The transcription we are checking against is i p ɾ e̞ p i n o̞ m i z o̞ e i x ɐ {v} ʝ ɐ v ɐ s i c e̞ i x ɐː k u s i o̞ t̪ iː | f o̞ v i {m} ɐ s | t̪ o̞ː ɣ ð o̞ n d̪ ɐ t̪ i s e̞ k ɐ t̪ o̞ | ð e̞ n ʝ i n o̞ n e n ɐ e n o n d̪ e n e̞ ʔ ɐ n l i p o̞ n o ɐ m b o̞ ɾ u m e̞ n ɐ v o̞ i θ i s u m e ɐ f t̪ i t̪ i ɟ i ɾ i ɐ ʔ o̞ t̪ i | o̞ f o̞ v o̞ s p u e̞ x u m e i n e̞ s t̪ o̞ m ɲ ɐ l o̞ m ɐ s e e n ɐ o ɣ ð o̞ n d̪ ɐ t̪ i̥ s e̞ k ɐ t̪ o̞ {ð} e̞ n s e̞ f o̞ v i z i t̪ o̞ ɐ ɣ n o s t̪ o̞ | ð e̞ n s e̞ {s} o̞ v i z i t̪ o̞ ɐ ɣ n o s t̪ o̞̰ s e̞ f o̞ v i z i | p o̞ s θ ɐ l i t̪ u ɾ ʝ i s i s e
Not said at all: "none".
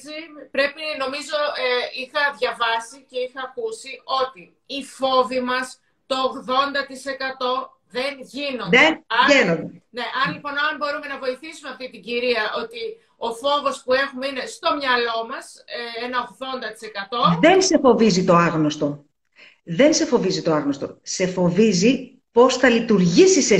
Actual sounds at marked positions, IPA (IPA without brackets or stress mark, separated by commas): ð, m, ð, f